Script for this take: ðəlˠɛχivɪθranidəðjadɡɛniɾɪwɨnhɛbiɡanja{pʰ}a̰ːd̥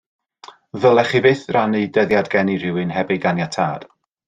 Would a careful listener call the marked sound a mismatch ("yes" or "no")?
yes